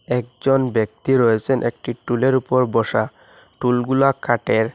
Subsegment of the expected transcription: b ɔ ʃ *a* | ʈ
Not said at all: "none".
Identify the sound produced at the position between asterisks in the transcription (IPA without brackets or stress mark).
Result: a